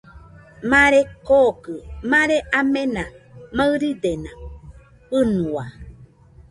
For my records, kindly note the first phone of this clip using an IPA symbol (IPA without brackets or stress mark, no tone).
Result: m